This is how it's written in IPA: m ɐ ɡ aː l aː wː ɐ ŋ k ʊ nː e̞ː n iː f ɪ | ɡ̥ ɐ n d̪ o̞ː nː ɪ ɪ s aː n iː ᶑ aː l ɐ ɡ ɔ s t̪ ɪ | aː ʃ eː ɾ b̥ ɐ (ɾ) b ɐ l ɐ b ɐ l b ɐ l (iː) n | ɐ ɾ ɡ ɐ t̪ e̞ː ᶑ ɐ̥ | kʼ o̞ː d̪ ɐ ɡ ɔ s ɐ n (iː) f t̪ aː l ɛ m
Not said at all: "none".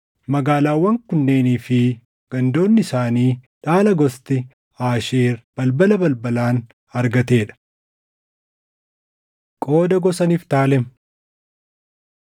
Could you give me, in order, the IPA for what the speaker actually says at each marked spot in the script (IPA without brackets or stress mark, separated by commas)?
l, aː, iː